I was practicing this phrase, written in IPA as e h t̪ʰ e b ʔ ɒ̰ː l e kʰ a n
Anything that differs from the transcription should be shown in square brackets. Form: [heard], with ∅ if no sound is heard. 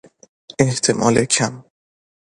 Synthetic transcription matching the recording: e h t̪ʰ e [m] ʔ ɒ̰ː l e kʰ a [m]